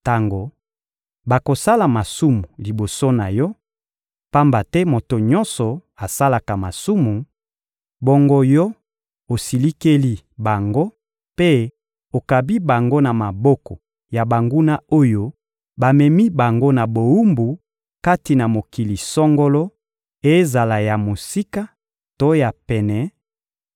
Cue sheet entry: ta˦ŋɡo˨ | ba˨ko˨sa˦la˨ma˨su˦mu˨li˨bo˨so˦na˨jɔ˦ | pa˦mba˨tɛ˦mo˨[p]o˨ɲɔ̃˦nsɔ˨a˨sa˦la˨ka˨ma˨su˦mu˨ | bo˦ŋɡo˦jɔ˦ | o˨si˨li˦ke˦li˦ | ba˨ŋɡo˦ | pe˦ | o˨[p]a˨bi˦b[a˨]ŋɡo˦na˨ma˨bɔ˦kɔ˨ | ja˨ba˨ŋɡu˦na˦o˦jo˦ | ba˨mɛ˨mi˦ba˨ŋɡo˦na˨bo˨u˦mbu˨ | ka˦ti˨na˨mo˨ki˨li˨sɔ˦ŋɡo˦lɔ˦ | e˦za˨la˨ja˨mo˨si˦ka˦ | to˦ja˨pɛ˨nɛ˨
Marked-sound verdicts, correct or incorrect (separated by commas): incorrect, incorrect, correct